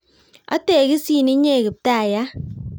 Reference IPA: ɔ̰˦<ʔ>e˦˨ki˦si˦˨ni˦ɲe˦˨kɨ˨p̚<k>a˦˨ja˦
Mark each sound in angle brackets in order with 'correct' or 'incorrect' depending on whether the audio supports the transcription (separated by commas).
incorrect, incorrect